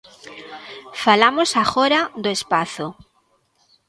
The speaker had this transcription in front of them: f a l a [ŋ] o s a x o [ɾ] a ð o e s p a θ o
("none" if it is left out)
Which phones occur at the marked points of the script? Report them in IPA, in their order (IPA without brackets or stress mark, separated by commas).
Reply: m, ɾ